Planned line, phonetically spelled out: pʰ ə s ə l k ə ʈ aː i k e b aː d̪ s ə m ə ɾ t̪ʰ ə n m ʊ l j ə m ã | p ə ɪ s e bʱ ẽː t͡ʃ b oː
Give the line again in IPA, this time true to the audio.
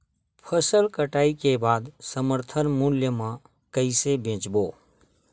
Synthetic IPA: pʰ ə s ə l k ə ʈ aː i k e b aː d̪ s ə m ə ɾ t̪ʰ ə n m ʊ l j ə m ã | k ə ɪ s e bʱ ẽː t͡ʃ b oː